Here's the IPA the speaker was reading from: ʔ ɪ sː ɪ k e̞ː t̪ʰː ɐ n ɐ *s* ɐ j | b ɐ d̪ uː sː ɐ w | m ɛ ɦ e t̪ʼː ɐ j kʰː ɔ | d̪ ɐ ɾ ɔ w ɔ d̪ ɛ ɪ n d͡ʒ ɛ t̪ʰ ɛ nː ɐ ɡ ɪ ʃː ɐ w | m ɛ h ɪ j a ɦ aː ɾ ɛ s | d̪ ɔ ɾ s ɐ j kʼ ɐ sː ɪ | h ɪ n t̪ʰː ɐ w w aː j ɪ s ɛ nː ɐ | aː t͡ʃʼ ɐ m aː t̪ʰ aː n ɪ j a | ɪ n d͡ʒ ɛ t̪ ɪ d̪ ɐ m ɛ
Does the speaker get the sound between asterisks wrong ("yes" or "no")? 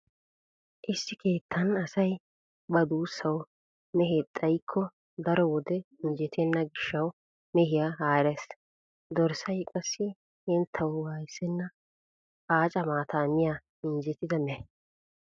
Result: no